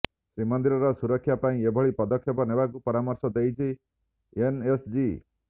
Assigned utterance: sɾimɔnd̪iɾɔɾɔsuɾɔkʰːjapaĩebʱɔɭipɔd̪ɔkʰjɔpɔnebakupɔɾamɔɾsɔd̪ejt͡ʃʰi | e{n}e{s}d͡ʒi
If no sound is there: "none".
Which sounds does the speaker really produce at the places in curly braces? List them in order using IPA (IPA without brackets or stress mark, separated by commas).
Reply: n, s